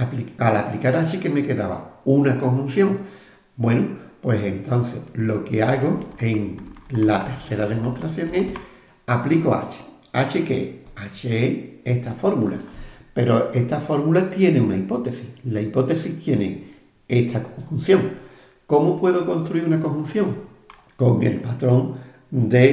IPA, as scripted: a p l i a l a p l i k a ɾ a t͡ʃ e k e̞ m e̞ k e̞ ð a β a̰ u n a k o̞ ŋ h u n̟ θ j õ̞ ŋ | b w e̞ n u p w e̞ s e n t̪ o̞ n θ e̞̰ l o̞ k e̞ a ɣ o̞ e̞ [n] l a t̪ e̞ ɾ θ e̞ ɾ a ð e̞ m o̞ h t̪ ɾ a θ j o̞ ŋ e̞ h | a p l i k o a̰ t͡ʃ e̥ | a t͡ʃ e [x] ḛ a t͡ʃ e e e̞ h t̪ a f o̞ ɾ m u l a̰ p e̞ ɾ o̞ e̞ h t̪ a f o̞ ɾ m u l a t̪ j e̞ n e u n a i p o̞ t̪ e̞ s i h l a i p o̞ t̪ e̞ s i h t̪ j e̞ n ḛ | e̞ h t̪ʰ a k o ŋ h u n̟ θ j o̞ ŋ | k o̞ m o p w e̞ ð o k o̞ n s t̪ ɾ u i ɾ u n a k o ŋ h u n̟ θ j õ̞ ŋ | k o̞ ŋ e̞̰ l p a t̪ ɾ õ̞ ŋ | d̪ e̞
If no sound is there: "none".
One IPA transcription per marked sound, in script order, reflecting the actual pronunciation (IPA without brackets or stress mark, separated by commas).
ŋ, k